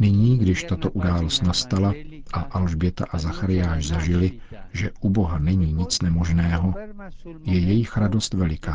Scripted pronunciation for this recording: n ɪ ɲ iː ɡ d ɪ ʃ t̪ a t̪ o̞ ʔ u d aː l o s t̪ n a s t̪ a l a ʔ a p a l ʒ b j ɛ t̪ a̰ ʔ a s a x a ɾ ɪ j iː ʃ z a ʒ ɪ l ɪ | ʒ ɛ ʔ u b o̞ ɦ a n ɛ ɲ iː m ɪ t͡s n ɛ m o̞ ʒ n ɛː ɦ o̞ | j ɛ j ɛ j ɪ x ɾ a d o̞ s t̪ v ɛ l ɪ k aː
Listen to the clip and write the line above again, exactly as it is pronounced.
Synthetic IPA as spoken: n ɪ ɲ iː ɡ d ɪ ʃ t̪ a t̪ o̞ ʔ u d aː l o s t̪ n a s t̪ a l a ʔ a ʔ a l ʒ b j ɛ t̪ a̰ ʔ a z a x a ɾ ɪ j aː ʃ z a ʒ ɪ l ɪ | ʒ ɛ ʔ u b o̞ ɦ a n ɛ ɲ iː ɲ ɪ t͡s n ɛ m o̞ ʒ n ɛː ɦ o̞ | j ɛ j ɛ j ɪ x ɾ a d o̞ s t̪ v ɛ l ɪ k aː